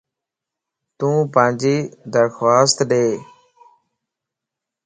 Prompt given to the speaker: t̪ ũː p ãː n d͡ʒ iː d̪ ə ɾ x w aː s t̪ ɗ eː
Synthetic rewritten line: t̪ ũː p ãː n d͡ʒ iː d̪ ə ɾ x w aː s t̪ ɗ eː